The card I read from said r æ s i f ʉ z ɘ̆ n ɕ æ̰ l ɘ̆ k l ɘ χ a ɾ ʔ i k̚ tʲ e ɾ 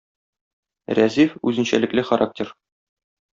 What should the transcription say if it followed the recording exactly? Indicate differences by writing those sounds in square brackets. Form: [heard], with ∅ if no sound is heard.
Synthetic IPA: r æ [z] i f ʉ z ɘ̆ n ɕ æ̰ l ɘ̆ k l ɘ χ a ɾ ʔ [a] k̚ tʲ e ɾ

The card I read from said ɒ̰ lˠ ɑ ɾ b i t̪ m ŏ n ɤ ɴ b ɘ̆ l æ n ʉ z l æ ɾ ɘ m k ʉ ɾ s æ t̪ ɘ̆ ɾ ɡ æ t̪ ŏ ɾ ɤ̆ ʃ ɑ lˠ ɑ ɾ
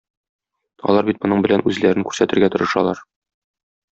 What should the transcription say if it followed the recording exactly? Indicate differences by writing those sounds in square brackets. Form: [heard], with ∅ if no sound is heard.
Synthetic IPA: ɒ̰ lˠ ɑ ɾ b i t̪ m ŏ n ɤ ɴ b ɘ̆ l æ n ʉ z l æ ɾ ɘ [ŋ] k ʉ ɾ s æ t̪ ɘ̆ ɾ ɡ æ t̪ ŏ ɾ ɤ̆ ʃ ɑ lˠ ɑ ɾ

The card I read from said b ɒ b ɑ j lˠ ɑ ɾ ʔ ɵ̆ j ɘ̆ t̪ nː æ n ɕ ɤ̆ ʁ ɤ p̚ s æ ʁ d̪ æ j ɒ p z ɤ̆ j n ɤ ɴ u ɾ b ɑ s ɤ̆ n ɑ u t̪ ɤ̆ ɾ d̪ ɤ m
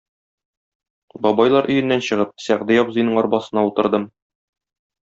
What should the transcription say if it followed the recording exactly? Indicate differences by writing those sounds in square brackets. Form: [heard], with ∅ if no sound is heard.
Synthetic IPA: b ɒ b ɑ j lˠ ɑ ɾ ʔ ɵ̆ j ɘ̆ [∅] nː æ n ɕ ɤ̆ ʁ ɤ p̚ s æ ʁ d̪ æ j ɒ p z ɤ̆ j n ɤ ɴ [ɒ] ɾ b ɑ s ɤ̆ n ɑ u t̪ ɤ̆ ɾ d̪ ɤ m

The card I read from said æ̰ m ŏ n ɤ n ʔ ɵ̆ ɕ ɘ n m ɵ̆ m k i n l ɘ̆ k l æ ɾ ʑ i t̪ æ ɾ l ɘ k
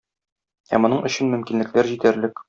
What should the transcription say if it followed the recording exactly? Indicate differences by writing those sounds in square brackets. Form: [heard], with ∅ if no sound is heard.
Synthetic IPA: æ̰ m ŏ n ɤ [ɴ] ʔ ɵ̆ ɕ ɘ n m ɵ̆ m k i n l ɘ̆ k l æ ɾ ʑ i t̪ æ ɾ l ɘ k

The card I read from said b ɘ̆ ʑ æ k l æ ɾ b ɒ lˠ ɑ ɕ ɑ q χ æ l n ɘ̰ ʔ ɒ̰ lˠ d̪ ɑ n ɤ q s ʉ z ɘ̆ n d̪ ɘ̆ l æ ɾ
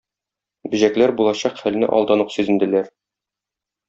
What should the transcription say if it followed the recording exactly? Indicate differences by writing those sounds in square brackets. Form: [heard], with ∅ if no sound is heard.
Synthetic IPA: b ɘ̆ ʑ æ k l æ ɾ b [u] lˠ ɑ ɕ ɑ q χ æ l n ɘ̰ ʔ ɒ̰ lˠ d̪ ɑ n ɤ q s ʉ z ɘ̆ n d̪ ɘ̆ l æ ɾ

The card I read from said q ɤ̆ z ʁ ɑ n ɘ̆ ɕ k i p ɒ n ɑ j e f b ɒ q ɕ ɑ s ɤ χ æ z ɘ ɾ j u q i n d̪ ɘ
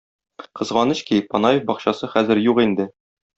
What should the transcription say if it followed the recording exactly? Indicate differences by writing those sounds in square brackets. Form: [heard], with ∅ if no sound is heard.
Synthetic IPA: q ɤ̆ z ʁ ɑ n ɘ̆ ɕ k i p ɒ n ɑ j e f b ɒ q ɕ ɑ s ɤ χ æ z ɘ ɾ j u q i n d̪ ɘ

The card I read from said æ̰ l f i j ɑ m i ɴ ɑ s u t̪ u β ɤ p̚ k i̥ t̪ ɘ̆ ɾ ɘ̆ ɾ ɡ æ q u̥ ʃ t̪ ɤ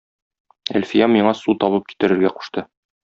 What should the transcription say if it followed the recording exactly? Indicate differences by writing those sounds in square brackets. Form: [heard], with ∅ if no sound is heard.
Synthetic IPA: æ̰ l f i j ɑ m i ɴ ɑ s u t̪ [ɒ] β ɤ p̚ k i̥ t̪ ɘ̆ ɾ ɘ̆ ɾ ɡ æ q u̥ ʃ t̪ ɤ

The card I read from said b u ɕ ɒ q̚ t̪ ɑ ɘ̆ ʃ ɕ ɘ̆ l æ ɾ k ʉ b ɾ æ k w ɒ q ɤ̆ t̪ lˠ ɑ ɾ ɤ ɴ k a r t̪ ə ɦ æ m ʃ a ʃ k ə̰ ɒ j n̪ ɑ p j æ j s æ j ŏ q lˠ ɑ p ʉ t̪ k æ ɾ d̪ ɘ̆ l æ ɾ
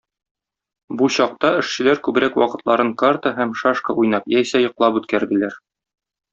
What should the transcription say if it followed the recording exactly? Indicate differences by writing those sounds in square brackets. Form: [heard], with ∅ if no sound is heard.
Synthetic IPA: b u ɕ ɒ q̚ t̪ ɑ ɘ̆ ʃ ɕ ɘ̆ l æ ɾ k ʉ b ɾ æ k w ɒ q ɤ̆ t̪ lˠ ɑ ɾ ɤ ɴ k a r t̪ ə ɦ æ m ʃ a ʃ k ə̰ [u] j n̪ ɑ p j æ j s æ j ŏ q lˠ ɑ p ʉ t̪ k æ ɾ d̪ ɘ̆ l æ ɾ

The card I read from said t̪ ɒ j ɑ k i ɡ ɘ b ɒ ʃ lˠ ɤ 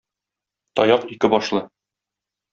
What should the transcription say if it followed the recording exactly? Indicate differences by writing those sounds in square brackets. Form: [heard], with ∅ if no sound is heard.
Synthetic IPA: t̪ ɒ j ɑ [q] i [k] ɘ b ɒ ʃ lˠ ɤ

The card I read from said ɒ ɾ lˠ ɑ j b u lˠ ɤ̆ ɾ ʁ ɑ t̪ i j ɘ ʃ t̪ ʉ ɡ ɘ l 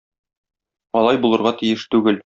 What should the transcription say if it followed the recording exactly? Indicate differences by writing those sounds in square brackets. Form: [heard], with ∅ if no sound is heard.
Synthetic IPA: ɒ [∅] lˠ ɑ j b u lˠ ɤ̆ ɾ ʁ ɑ t̪ i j ɘ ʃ t̪ ʉ ɡ ɘ l

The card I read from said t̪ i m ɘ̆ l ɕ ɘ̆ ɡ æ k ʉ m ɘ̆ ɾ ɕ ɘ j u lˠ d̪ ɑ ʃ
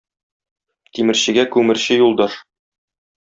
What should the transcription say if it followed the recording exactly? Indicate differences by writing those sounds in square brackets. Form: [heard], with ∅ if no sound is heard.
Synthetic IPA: t̪ i m ɘ̆ [ɾ] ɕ ɘ̆ ɡ æ k ʉ m ɘ̆ ɾ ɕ ɘ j u lˠ d̪ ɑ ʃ

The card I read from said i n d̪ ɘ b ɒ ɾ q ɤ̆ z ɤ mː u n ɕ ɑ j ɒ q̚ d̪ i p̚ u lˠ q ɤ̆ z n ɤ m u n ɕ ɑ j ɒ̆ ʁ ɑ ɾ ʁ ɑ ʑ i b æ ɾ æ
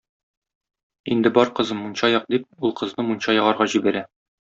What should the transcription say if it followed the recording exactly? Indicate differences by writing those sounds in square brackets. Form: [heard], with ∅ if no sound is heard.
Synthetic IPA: i n d̪ ɘ b ɒ ɾ q ɤ̆ z ɤ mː u n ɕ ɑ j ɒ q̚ d̪ i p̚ u lˠ q ɤ̆ z n ɤ m u n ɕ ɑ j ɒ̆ ʁ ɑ ɾ ʁ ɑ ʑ i b æ ɾ æ

